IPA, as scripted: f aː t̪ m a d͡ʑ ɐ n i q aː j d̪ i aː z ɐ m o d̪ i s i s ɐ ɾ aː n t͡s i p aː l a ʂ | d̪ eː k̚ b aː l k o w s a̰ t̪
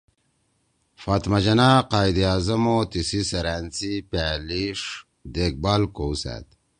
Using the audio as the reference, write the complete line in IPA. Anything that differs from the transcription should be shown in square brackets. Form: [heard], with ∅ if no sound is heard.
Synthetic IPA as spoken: f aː t̪ m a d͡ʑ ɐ n [a] q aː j d̪ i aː z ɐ m o [t̪] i s i s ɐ ɾ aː n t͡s i p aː l [i] ʂ | d̪ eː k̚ b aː l k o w s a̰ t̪